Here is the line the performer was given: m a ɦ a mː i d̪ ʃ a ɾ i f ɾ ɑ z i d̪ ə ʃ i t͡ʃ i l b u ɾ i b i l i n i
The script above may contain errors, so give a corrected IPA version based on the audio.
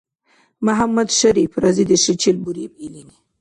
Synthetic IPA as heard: m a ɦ a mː a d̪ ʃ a ɾ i f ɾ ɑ z i d̪ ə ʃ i t͡ʃ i l b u ɾ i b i l i n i